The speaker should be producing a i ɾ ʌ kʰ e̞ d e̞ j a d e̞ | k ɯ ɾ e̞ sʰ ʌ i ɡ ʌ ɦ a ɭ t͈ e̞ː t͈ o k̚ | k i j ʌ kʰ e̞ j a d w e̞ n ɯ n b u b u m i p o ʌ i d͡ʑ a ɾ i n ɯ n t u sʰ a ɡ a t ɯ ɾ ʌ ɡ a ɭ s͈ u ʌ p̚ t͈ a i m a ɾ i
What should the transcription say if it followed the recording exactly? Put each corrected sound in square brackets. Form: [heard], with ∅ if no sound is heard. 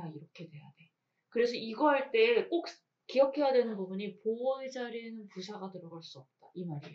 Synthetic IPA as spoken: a i ɾ ʌ kʰ e̞ d e̞ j a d e̞ | k ɯ ɾ e̞ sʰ ʌ i ɡ ʌ ɦ a ɭ t͈ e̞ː [k͈] o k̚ | k i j ʌ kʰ e̞ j a d w e̞ n ɯ n b u b u [ɲ] i p o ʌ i d͡ʑ a ɾ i n ɯ n [p] u sʰ a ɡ a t ɯ ɾ ʌ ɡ a ɭ s͈ u ʌ p̚ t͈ a i m a ɾ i